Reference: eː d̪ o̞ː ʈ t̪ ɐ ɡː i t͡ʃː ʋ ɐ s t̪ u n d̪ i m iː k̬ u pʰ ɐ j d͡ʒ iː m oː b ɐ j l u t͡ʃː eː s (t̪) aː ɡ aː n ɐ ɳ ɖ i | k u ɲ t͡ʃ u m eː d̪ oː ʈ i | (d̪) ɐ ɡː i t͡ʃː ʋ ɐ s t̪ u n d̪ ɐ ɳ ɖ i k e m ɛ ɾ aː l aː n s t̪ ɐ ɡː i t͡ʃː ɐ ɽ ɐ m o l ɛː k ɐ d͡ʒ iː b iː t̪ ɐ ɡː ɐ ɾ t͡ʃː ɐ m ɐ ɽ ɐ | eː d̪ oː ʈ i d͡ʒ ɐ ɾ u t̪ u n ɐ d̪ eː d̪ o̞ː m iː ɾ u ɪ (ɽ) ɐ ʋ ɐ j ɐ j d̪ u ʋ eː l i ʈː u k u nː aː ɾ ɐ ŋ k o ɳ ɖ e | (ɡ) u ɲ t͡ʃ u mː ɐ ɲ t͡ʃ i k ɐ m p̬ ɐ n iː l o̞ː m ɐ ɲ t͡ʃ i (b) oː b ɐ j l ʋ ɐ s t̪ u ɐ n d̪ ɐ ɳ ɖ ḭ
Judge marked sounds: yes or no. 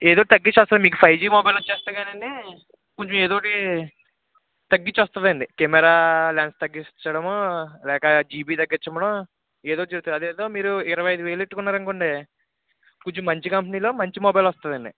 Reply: yes, no, no, no, no

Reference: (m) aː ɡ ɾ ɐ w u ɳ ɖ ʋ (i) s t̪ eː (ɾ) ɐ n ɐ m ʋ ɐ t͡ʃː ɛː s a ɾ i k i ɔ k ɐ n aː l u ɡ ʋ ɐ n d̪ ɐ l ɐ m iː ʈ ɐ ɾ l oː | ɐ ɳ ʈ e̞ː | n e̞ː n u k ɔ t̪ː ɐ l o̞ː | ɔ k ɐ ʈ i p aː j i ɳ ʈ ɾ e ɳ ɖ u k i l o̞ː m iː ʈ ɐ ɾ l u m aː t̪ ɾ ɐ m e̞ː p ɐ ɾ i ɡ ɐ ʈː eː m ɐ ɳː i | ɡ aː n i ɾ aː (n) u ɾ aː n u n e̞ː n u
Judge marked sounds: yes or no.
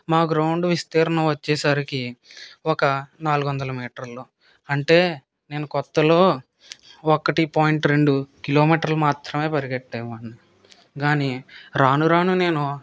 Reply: yes, yes, yes, yes

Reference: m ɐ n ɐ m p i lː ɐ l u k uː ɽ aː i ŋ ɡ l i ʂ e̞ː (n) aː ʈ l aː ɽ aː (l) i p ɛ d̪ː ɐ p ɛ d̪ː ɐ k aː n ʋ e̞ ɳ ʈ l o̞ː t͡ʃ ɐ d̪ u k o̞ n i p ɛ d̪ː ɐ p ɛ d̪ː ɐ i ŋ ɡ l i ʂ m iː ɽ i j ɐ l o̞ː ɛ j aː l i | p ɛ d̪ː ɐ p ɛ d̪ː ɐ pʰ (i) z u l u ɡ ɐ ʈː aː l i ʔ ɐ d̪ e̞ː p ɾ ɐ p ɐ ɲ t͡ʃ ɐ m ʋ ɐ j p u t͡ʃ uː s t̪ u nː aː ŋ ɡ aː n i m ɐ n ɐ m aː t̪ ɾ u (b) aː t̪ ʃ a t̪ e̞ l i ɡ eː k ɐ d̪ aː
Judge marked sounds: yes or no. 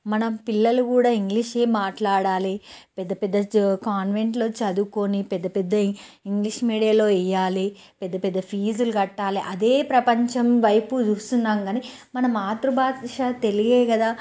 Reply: no, yes, no, yes

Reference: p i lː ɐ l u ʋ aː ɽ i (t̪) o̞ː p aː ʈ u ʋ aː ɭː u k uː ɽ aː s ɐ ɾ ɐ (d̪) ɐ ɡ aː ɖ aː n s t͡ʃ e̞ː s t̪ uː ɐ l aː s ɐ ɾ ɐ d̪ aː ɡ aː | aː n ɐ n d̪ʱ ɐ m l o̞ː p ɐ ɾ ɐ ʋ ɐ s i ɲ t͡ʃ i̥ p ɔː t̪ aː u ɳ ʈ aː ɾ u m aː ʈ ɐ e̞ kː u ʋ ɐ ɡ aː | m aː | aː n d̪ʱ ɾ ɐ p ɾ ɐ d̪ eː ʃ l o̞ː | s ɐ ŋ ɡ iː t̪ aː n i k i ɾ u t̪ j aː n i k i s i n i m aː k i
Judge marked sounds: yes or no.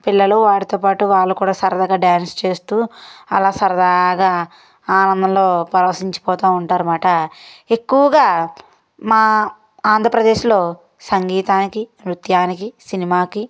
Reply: yes, yes

